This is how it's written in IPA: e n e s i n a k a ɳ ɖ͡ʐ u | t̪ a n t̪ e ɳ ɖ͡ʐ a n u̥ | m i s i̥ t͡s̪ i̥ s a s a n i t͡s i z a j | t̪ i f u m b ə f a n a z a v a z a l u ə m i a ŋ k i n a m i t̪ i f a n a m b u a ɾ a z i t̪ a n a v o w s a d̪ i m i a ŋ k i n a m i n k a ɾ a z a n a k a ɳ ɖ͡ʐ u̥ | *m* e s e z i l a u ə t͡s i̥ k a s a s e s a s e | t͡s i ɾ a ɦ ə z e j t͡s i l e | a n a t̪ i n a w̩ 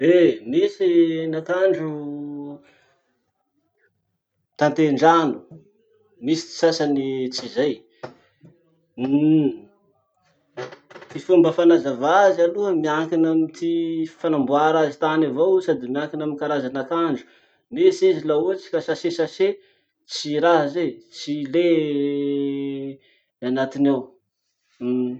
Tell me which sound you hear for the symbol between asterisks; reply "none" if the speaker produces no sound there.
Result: n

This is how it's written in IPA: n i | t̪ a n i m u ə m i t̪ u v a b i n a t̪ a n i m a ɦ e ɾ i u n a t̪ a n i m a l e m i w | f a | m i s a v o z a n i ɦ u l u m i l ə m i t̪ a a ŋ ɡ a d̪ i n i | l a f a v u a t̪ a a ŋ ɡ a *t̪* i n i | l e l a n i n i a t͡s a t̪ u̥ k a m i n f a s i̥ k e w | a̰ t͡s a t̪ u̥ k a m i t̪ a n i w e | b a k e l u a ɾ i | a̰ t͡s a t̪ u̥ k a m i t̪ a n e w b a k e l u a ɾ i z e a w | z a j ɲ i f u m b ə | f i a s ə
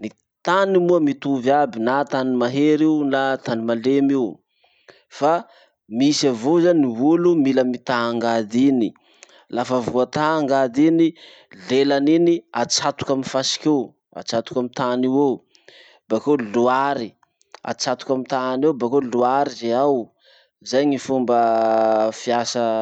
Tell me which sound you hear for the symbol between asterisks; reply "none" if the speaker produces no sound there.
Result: d̪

